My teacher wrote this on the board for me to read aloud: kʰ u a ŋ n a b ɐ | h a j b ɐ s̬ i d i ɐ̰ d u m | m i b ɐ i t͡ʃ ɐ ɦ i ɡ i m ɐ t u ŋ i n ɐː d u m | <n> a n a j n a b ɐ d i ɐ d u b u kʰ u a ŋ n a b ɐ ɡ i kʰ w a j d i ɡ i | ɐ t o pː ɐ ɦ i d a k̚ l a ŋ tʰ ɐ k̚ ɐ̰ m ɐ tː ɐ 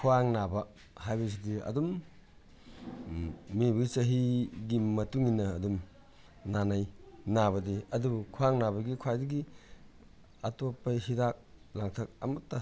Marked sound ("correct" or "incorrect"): correct